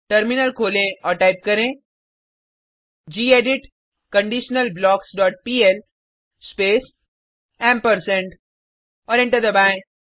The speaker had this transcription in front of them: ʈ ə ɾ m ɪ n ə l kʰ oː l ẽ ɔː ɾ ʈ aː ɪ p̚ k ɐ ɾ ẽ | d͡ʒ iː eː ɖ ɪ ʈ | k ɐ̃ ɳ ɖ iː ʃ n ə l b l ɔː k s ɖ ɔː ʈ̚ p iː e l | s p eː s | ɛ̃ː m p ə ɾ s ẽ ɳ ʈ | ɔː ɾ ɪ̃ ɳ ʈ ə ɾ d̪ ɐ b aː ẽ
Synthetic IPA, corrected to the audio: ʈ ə ɾ m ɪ n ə l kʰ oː l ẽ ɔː ɾ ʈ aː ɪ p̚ k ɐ ɾ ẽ | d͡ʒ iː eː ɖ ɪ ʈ | k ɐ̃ ɳ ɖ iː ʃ n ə l b l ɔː k s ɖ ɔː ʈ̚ p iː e l | s p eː s | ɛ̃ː m p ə ɾ s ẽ ɳ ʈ | ɔː ɾ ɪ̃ ɳ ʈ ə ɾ d̪ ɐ b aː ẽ